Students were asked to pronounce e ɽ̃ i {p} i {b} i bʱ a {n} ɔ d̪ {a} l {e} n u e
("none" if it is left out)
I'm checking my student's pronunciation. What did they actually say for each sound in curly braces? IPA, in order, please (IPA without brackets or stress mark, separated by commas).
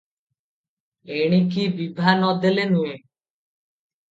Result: k, b, n, e, e